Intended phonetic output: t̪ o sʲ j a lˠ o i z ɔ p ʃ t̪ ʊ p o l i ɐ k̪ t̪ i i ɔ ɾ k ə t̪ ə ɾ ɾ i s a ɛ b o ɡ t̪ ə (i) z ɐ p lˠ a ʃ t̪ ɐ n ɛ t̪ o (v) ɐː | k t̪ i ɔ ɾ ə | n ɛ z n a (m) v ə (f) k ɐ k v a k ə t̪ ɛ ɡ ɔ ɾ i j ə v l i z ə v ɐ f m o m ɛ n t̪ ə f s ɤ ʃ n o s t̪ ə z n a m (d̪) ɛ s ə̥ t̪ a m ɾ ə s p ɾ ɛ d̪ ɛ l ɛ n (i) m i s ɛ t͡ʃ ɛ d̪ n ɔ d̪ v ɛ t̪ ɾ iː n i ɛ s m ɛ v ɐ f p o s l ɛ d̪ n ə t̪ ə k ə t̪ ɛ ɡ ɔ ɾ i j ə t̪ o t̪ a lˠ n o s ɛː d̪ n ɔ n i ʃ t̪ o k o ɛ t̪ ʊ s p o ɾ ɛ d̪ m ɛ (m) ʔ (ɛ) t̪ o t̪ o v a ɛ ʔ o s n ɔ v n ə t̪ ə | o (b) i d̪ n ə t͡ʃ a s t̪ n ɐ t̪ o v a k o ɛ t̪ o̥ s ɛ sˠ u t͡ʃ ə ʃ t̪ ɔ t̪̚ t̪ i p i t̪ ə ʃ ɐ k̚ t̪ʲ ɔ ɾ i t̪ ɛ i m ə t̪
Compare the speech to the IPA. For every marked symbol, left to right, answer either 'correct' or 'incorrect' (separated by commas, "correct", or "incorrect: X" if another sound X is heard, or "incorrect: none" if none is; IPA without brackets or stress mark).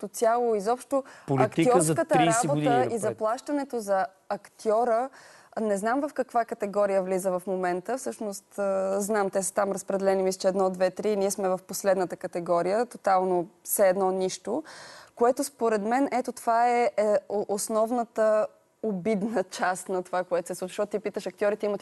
correct, incorrect: z, correct, correct, incorrect: t̪, correct, incorrect: n, correct, correct